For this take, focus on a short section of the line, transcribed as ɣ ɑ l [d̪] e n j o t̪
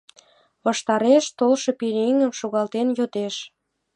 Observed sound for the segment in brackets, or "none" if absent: t̪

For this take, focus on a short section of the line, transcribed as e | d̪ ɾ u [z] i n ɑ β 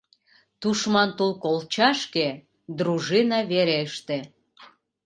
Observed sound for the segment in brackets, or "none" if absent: ʒ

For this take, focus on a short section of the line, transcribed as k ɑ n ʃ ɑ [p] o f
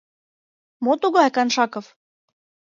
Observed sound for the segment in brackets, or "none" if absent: k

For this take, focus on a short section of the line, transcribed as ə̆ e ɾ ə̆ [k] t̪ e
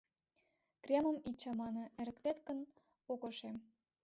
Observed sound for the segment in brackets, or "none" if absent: k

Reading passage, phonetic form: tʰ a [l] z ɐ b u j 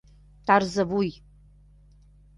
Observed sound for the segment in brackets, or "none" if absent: r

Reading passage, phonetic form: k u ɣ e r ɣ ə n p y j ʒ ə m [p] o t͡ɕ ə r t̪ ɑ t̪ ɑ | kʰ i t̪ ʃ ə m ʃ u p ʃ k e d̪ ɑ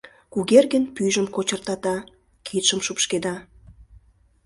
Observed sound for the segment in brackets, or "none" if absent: k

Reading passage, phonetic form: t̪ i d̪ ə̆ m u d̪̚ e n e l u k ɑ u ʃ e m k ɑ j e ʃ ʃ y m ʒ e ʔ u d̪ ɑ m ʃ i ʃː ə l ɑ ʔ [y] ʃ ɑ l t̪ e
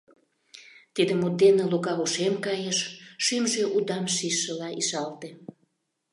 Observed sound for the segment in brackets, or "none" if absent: i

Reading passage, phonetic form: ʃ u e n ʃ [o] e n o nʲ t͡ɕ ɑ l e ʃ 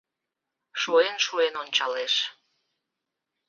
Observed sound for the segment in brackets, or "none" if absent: u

